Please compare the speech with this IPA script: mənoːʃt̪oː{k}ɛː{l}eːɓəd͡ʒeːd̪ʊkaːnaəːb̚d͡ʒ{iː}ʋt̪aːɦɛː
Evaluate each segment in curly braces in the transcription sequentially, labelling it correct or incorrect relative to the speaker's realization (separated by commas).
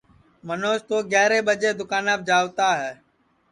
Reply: incorrect, incorrect, incorrect